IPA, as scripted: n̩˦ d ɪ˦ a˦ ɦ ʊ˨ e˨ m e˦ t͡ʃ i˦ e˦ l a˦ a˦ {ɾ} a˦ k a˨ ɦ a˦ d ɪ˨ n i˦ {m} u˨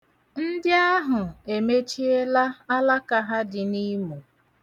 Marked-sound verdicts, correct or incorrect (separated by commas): incorrect, correct